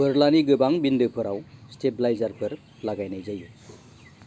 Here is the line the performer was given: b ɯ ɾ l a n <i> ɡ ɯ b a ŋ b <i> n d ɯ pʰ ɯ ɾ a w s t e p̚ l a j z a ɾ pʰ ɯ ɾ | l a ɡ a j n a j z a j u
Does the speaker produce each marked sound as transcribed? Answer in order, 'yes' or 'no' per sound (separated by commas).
yes, yes